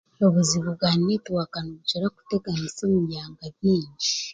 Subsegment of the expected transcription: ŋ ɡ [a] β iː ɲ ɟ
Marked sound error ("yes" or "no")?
no